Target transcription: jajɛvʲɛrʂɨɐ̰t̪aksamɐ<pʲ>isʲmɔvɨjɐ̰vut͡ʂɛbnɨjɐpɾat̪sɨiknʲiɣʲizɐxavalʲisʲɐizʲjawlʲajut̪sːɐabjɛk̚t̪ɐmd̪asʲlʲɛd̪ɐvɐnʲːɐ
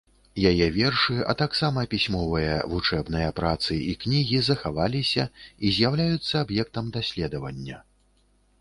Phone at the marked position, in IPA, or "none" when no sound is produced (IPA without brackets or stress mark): pʲ